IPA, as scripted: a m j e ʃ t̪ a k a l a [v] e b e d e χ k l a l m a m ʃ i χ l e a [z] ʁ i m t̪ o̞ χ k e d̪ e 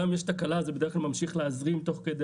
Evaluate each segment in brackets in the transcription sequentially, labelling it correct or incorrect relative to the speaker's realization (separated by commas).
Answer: incorrect, correct